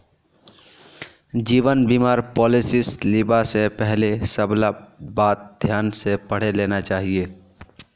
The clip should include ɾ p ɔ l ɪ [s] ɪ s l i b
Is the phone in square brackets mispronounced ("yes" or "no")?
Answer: no